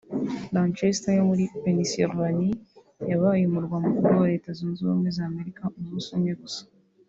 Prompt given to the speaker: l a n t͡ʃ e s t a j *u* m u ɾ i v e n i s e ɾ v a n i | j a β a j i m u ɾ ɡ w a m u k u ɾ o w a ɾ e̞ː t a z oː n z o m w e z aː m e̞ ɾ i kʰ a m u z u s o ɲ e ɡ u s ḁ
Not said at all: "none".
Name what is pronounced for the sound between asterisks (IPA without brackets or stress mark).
o